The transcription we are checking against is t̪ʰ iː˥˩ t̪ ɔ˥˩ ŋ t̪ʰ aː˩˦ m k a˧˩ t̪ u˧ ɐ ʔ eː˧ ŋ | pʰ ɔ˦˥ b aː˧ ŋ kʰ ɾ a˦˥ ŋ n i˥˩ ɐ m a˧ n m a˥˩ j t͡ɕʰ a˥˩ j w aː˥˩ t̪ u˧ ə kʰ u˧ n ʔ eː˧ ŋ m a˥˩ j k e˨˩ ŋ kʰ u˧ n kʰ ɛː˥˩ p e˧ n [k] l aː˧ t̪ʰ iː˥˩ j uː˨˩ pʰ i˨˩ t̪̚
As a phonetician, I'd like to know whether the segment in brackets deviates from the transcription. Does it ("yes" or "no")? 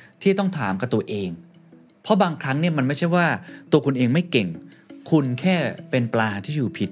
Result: yes